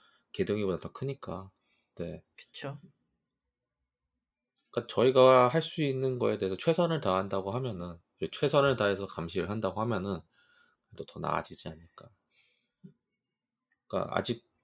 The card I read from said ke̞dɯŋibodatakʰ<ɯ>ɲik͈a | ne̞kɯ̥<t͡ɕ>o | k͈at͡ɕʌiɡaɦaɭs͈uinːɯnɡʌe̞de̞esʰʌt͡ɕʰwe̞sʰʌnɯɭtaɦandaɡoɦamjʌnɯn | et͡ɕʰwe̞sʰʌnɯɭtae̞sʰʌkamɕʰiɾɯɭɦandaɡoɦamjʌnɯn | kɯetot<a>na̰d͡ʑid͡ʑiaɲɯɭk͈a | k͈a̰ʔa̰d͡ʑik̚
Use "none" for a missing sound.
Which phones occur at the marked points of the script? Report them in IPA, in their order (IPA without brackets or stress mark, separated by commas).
ɯ, t͡ɕʰ, ʌ